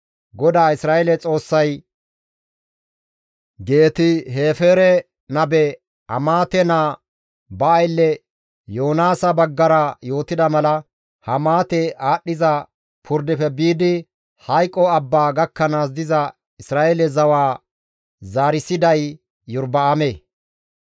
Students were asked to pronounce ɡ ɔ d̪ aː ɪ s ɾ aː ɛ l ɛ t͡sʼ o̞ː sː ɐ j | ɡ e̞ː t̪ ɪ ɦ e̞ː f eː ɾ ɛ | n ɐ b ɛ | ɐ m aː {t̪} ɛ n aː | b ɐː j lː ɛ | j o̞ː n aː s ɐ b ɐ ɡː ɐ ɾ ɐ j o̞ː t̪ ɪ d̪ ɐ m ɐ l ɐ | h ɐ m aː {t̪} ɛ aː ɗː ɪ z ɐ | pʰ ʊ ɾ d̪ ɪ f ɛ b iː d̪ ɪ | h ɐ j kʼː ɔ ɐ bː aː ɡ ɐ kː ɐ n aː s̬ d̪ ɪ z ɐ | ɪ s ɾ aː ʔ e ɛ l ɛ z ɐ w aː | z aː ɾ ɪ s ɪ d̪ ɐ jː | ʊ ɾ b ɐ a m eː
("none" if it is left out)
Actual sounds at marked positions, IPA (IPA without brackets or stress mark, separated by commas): t̪, t̪